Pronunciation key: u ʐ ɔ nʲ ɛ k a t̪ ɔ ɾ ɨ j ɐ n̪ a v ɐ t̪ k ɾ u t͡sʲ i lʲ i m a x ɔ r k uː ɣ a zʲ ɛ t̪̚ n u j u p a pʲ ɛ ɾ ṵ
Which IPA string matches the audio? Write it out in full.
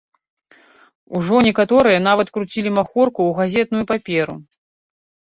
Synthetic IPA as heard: u ʐ ɔ nʲ ɛ k a t̪ ɔ ɾ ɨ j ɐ n̪ a v ɐ t̪ k ɾ u t͡sʲ i lʲ i m a x ɔ r k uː ɣ a zʲ ɛ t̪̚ n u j u p a pʲ ɛ ɾ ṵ